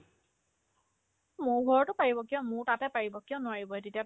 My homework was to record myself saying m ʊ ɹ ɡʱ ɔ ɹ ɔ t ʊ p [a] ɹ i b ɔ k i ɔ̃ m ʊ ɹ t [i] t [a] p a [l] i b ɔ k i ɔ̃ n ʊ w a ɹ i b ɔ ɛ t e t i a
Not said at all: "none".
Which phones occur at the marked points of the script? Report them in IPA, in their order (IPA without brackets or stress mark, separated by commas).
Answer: a, a, ɛ, ɹ